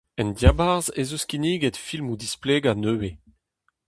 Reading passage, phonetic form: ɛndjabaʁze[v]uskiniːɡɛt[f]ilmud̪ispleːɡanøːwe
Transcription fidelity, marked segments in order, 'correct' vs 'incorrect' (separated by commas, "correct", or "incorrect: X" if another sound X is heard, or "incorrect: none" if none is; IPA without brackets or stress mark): incorrect: z, correct